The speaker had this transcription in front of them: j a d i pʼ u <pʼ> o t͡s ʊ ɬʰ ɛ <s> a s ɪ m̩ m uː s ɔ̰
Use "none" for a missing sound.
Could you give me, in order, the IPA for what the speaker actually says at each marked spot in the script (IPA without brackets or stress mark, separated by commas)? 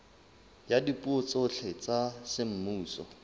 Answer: none, t͡s